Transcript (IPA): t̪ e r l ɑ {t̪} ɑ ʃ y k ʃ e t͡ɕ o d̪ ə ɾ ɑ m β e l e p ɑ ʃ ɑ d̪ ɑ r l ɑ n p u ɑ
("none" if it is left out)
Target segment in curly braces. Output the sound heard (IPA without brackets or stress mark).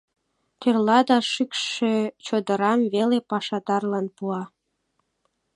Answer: d̪